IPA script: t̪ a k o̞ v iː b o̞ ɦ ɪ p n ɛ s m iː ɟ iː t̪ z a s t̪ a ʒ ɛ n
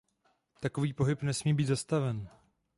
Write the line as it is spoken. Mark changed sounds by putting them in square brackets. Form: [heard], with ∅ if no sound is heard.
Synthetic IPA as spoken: t̪ a k o̞ v iː [p] o̞ ɦ ɪ p n ɛ s m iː [b] iː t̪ z a s t̪ a [v] ɛ n